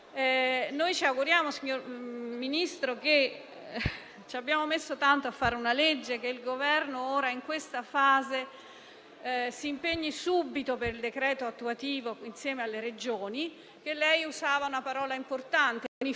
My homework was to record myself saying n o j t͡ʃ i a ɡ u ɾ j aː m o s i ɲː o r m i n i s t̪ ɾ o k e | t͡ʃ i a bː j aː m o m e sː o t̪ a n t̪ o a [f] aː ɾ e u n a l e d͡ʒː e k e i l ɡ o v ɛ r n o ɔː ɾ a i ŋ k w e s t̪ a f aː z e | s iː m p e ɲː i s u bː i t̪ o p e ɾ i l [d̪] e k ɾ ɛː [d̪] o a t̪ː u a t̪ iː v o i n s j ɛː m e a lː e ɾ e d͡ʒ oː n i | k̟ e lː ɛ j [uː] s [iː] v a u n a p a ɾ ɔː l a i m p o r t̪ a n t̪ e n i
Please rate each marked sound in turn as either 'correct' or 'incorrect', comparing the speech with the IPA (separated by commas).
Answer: incorrect, correct, incorrect, incorrect, incorrect